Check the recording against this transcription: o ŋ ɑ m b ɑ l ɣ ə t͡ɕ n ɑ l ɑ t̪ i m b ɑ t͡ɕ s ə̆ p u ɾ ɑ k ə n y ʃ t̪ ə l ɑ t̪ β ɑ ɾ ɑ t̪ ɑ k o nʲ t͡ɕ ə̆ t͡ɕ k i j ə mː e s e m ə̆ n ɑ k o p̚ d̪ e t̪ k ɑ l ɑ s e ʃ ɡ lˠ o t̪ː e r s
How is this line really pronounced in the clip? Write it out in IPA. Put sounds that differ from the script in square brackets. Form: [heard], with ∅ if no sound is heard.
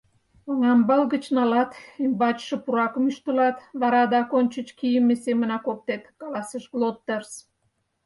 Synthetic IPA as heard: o ŋ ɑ m b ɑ l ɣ ə t͡ɕ n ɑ l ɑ t̪ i m b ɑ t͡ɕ [ʃ] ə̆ p u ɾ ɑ k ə [m] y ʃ t̪ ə l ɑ t̪ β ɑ ɾ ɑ [d̪] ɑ k o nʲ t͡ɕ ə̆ t͡ɕ k i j ə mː e s e m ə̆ n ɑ k o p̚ [t̪] e t̪ k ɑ l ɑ s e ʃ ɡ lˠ o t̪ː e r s